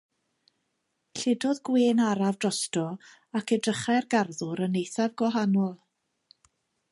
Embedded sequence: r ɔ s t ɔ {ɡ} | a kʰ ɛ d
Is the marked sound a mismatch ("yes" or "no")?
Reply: yes